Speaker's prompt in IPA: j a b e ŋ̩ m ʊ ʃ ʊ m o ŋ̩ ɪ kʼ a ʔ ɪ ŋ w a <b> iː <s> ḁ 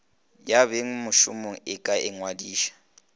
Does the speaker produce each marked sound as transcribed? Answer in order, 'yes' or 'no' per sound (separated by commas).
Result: no, no